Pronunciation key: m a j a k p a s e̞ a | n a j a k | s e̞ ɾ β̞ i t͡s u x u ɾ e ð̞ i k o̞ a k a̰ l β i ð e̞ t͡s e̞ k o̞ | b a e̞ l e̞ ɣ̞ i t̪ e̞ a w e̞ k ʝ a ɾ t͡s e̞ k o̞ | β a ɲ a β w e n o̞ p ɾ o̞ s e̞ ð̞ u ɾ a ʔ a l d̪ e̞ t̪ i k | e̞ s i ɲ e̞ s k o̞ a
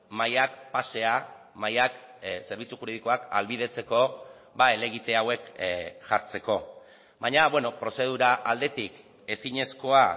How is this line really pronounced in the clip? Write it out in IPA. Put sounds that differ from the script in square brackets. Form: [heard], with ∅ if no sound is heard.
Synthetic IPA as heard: m a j a k p a s e̞ a | [m] a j a k | s e̞ ɾ β̞ i t͡s u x u ɾ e ð̞ i k o̞ a k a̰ l β i ð e̞ t͡s e̞ k o̞ | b a e̞ l e̞ ɣ̞ i t̪ e̞ a w e̞ k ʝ a ɾ t͡s e̞ k o̞ | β a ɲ a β w e n o̞ p ɾ o̞ s e̞ ð̞ u ɾ a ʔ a l d̪ e̞ t̪ i k | e̞ s i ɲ e̞ s k o̞ a